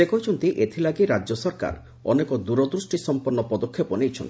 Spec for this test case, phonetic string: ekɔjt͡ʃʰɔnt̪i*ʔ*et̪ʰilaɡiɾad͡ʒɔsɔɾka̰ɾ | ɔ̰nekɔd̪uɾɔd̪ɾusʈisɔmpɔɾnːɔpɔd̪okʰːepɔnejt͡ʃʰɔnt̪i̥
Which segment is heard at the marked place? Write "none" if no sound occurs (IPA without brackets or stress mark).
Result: ʔ